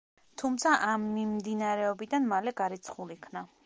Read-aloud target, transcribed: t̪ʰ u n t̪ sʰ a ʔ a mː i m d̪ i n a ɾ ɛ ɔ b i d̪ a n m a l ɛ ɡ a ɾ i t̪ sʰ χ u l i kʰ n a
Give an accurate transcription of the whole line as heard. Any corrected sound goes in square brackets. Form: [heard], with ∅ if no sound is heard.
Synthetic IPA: t̪ʰ u [m] t̪ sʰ a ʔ a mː i m d̪ i n a ɾ ɛ ɔ b i d̪ a n m a l ɛ ɡ a ɾ i t̪ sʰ χ u l i kʰ n a